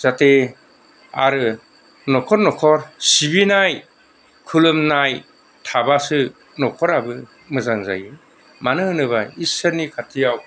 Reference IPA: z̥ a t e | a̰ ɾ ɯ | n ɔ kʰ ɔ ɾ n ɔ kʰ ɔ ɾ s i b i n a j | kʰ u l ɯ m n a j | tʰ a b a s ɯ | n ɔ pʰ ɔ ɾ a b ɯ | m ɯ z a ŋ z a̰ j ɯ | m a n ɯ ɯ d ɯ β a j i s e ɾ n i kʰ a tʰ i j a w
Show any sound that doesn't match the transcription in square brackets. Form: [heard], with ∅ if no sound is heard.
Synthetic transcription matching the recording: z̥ a t e | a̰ ɾ ɯ | n ɔ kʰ ɔ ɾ n ɔ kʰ ɔ ɾ s i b i n a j | kʰ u l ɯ m n a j | tʰ a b a s ɯ | n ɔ [kʰ] ɔ ɾ a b ɯ | m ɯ z a ŋ z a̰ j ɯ | m a n ɯ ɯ [n] ɯ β a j i s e ɾ n i kʰ a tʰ i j a w